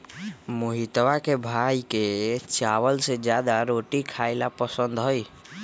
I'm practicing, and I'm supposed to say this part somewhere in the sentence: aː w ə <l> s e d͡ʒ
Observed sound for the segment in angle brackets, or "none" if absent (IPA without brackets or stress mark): l